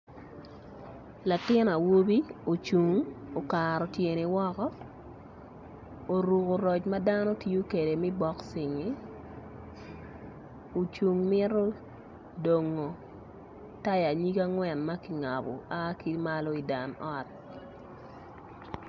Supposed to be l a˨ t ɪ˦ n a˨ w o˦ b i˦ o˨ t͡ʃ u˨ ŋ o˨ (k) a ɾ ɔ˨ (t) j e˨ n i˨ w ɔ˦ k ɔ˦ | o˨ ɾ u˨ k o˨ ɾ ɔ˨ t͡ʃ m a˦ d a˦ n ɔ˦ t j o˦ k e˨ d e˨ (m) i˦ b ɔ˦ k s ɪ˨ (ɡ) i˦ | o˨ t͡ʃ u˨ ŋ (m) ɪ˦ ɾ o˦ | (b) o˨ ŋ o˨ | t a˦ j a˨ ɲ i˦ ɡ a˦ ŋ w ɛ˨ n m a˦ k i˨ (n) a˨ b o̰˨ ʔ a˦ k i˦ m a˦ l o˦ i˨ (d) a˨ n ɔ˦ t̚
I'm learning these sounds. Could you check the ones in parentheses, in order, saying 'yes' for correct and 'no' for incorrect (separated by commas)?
yes, yes, yes, no, yes, no, no, yes